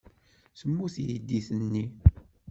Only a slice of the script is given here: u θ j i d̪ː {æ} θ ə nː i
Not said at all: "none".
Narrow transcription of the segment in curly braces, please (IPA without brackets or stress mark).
i